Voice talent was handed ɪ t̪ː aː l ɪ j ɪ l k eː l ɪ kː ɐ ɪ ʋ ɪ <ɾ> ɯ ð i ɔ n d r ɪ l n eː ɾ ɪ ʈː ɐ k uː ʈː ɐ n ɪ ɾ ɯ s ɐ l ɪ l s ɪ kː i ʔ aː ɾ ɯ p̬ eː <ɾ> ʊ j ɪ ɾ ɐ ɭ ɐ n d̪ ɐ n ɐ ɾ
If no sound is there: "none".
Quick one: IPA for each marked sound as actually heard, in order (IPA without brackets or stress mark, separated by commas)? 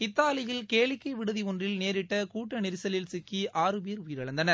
ɽ, ɾ